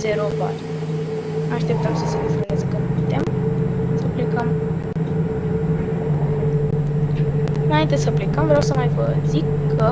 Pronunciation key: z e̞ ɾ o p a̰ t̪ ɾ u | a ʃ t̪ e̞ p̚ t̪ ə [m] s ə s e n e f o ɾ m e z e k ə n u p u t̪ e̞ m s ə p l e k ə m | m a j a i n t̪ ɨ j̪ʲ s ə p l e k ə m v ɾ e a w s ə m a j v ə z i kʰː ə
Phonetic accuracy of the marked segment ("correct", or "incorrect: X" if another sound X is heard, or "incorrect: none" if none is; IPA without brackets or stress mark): correct